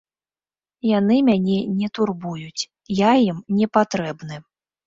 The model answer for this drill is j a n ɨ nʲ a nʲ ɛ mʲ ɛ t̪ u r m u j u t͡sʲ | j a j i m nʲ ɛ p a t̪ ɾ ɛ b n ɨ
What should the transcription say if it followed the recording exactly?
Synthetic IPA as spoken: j a n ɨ mʲ a nʲ ɛ nʲ ɛ t̪ u r b u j u t͡sʲ | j a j i m nʲ ɛ p a t̪ ɾ ɛ b n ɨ